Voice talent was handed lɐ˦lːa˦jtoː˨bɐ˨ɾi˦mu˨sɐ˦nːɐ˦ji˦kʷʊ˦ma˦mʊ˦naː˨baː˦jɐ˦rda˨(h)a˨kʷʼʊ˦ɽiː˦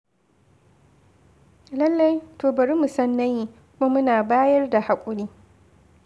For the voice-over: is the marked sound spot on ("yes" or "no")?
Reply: yes